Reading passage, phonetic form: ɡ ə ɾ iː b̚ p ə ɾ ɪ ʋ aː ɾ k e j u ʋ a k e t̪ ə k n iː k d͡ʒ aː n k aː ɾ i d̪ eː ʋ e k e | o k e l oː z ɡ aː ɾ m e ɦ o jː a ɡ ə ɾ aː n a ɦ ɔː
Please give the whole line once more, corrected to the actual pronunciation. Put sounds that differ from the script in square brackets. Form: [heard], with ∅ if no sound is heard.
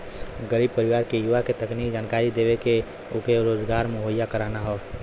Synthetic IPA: ɡ ə ɾ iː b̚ p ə ɾ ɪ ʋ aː ɾ k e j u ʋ a k e t̪ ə k n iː k d͡ʒ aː n k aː ɾ i d̪ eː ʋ e k e | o k e [ɾ] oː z ɡ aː ɾ m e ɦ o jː a [k] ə ɾ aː n a ɦ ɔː